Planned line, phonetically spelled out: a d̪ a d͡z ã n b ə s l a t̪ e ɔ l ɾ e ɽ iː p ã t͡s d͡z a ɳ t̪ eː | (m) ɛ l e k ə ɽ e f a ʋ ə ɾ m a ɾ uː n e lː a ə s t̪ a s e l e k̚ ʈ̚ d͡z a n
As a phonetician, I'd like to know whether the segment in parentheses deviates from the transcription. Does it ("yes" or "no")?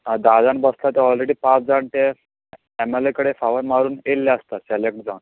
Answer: no